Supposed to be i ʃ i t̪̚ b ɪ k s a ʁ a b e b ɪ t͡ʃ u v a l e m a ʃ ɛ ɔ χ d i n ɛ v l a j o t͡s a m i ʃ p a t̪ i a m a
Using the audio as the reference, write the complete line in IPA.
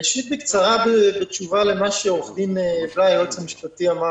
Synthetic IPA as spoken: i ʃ i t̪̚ b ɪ k t͡s a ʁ a b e b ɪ t͡ʃ u v a l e m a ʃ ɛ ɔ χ d i m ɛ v l a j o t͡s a m i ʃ p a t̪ i a m a